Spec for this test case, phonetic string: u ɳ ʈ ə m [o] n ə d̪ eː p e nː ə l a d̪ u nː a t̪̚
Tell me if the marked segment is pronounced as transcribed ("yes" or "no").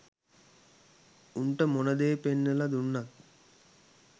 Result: yes